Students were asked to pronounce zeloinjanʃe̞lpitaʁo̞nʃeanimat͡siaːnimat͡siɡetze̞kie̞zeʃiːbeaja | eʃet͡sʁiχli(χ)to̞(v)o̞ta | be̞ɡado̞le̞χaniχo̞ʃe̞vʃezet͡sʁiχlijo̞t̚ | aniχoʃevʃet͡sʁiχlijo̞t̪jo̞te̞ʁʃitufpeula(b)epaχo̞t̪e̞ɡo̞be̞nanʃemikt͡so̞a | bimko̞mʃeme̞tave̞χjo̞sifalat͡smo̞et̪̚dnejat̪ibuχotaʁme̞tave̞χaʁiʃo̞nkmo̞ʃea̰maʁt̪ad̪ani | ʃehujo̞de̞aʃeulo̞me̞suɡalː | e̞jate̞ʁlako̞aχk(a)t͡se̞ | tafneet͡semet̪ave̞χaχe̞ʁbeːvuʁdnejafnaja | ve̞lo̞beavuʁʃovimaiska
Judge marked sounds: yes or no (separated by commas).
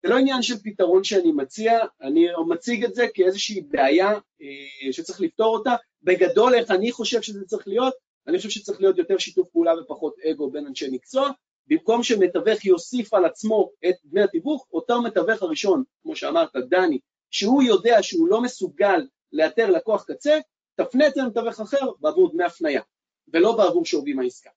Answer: no, no, no, yes